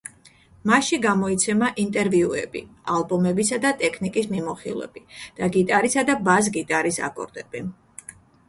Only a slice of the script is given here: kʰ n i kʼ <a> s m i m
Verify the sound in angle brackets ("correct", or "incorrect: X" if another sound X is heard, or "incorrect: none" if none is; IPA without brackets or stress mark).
incorrect: i